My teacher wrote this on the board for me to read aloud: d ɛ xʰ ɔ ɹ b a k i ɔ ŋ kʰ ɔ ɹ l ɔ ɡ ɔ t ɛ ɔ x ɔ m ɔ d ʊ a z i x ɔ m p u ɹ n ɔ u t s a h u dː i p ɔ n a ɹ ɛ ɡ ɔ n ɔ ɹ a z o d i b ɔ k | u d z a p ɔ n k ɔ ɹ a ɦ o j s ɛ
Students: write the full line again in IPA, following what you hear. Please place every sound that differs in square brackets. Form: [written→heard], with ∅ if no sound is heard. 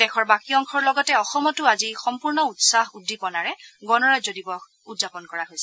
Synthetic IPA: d ɛ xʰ ɔ ɹ b a k i ɔ ŋ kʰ ɔ ɹ l ɔ ɡ ɔ t ɛ ɔ x ɔ m ɔ [d→t] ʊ a z i x ɔ m p u ɹ n ɔ u t s a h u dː i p ɔ n a ɹ ɛ ɡ ɔ n ɔ ɹ a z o d i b ɔ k | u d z a p ɔ n k ɔ ɹ a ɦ o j s ɛ